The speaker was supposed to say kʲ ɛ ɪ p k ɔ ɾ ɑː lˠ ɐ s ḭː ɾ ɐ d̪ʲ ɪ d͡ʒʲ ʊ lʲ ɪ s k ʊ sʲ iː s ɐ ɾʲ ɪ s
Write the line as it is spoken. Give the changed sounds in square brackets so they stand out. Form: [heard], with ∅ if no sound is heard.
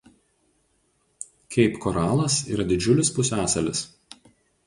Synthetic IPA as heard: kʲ ɛ ɪ p k ɔ ɾ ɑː lˠ ɐ s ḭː ɾ ɐ d̪ʲ ɪ d͡ʒʲ ʊ lʲ ɪ s [p] ʊ sʲ [æː] s ɐ [lʲ] ɪ s